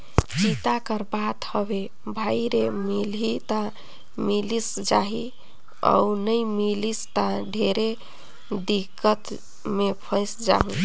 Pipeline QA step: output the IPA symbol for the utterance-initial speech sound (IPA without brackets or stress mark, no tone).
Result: t͡ʃ